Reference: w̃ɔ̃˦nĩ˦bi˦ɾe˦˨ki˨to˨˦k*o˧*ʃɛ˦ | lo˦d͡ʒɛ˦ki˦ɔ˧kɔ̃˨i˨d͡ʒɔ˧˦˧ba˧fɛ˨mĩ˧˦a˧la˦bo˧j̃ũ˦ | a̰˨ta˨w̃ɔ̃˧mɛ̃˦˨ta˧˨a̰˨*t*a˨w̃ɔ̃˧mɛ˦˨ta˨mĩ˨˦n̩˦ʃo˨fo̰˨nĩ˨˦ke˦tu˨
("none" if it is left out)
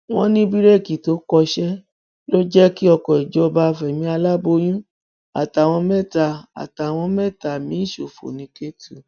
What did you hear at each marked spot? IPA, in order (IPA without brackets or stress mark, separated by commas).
ɔ˧, t